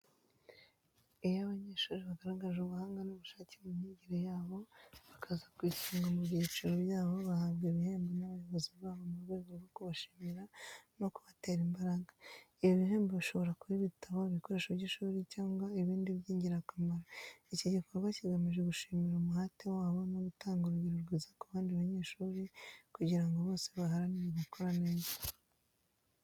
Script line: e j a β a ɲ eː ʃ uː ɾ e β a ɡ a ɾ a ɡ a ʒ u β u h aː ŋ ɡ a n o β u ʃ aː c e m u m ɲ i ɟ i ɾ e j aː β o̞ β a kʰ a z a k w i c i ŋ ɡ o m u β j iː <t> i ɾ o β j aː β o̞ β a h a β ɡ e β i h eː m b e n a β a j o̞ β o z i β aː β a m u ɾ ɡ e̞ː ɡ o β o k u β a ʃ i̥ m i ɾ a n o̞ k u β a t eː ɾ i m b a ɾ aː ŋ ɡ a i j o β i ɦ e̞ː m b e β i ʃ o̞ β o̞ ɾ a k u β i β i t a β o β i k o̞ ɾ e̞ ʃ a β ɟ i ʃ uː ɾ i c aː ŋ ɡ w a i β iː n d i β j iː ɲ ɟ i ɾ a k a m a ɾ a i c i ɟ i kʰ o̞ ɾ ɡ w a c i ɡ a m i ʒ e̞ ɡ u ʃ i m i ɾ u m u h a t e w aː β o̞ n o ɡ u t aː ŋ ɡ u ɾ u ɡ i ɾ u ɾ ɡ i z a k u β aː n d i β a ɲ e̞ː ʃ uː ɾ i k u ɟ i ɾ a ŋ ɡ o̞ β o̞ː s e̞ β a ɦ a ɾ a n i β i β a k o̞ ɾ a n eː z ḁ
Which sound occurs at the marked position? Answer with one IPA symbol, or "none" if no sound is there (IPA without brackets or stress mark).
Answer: t͡ʃ